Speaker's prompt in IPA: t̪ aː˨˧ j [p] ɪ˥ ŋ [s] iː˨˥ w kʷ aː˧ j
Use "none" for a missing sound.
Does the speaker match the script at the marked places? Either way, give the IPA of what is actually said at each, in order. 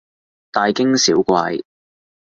k, s

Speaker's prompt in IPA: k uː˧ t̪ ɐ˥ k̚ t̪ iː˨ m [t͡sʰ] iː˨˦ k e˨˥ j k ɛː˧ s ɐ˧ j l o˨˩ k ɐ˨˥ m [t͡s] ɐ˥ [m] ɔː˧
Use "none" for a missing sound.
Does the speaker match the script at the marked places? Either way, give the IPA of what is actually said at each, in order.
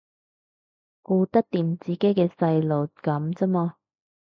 t͡s, t͡s, m

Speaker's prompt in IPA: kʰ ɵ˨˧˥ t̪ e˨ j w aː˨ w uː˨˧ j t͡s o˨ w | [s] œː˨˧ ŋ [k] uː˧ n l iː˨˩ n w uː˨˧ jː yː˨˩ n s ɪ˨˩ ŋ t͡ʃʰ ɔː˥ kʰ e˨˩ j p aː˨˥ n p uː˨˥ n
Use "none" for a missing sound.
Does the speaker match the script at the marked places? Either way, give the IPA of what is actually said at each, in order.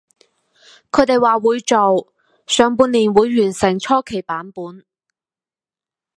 s, p

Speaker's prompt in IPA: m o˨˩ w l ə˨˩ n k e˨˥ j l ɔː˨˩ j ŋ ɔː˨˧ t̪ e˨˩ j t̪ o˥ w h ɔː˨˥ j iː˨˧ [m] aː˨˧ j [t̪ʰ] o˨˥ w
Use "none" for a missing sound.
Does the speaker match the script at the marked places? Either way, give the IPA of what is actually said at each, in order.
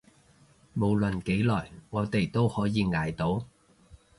ŋ, t̪

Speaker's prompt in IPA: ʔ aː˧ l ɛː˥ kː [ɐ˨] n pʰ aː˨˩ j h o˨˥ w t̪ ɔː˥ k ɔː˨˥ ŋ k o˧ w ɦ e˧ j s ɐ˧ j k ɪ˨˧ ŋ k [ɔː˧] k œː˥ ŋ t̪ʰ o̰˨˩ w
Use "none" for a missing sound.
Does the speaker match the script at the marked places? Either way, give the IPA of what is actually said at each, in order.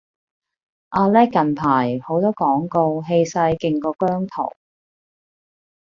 ɐ˨, ɔː˧

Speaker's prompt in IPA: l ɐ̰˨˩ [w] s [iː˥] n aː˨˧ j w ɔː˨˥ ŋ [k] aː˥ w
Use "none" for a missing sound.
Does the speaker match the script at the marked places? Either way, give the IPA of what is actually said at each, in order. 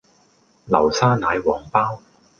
w, aː˥, p

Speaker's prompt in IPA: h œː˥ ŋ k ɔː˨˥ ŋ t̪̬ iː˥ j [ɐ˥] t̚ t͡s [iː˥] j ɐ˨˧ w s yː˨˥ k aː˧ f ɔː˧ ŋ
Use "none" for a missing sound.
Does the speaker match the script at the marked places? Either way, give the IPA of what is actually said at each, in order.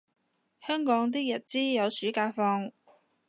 ɐ˨˩, iː˥

